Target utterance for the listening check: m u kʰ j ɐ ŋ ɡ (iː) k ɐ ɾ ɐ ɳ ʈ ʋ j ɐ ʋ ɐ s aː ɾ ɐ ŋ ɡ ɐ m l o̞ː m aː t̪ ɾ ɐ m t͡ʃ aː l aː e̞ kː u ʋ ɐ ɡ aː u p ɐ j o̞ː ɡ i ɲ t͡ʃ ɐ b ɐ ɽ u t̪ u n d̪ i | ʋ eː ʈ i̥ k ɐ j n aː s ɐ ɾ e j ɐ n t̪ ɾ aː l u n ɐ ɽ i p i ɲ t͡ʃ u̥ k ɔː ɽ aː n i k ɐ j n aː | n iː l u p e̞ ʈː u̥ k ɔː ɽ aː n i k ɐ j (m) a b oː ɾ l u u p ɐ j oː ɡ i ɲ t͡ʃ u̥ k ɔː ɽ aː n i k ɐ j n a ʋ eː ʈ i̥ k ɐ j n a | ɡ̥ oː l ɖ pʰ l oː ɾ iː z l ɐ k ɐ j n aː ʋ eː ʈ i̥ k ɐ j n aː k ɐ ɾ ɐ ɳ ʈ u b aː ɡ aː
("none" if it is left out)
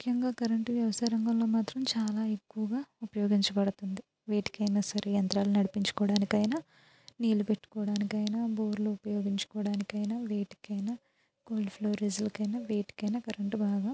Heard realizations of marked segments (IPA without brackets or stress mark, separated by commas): aː, n